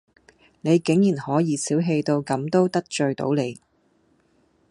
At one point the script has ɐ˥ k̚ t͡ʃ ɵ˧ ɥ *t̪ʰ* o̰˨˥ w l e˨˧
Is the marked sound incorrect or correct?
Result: incorrect: t̪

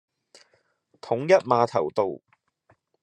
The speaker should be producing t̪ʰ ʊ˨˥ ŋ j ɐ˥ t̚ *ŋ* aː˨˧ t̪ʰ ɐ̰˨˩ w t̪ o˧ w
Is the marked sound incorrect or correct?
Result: incorrect: m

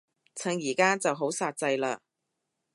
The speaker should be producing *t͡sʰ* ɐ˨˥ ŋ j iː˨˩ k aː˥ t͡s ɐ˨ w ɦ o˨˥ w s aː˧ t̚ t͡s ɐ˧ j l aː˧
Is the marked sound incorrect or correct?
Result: correct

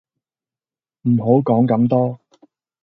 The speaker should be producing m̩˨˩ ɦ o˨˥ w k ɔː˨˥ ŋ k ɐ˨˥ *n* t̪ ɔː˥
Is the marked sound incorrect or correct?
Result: incorrect: m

